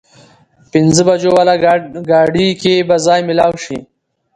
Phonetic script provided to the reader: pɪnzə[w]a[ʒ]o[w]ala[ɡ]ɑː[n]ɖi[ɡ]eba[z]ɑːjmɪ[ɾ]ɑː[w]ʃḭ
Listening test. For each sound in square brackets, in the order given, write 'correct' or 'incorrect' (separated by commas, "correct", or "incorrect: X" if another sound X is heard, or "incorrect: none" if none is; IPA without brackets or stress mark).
incorrect: b, incorrect: d͡ʒ, correct, correct, incorrect: none, incorrect: k, correct, incorrect: l, correct